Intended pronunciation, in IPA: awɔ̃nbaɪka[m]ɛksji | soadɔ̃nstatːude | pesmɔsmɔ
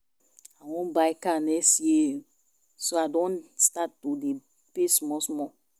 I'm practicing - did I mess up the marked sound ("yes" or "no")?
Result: yes